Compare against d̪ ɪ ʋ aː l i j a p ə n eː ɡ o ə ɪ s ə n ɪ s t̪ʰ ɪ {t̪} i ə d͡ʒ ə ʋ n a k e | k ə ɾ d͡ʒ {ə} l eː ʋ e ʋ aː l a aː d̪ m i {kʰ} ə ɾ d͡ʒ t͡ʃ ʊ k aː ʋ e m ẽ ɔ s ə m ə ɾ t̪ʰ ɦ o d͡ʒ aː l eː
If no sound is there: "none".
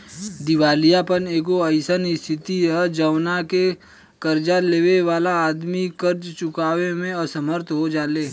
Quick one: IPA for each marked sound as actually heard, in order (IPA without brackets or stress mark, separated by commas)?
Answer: t̪, a, k